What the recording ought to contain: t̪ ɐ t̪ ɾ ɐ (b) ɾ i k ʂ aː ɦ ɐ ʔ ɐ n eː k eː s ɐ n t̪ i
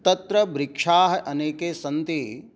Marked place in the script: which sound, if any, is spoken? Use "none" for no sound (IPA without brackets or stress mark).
b